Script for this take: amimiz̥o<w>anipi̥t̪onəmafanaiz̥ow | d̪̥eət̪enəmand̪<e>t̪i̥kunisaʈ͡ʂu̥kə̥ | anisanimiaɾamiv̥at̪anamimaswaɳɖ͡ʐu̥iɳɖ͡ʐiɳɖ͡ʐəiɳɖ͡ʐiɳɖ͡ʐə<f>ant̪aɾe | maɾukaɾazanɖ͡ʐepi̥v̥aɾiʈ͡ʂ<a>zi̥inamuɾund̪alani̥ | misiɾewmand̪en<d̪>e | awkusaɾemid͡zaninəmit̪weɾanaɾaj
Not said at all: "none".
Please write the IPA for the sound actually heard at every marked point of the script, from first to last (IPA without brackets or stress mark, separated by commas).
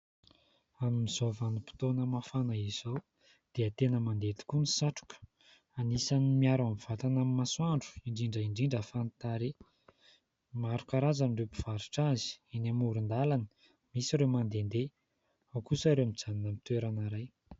v, e, f, a, d̪